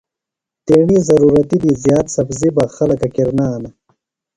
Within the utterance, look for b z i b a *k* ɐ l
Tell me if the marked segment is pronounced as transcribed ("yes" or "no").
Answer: no